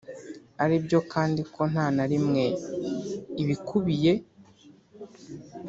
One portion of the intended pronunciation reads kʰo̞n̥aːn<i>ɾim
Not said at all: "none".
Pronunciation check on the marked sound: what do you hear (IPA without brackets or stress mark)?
a